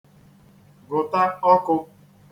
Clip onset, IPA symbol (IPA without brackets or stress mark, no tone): ɡ